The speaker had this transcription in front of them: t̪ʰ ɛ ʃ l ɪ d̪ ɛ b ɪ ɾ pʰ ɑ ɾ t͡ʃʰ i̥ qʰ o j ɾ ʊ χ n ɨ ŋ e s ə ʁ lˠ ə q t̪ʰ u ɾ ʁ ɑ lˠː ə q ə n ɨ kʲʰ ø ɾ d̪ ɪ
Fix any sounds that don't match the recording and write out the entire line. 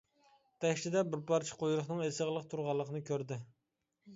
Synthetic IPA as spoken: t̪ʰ ɛ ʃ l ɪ d̪ ɛ b ɪ ɾ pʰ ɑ ɾ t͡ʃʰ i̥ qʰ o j ɾ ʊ χ n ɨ ŋ e s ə ʁ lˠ ə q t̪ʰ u ɾ ʁ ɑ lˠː ə q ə n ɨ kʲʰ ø ɾ d̪ ɪ